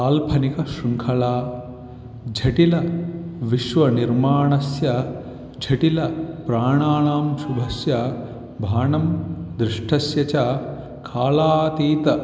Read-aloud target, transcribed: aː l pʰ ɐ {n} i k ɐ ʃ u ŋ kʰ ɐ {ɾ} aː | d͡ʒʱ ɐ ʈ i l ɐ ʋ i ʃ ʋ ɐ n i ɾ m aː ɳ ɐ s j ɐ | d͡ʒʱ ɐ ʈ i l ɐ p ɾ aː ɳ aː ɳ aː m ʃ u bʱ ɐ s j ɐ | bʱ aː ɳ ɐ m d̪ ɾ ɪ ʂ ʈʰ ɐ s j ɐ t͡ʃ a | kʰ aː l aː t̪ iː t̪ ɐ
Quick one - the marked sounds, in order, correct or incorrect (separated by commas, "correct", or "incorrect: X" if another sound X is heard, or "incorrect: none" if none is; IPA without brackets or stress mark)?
correct, incorrect: l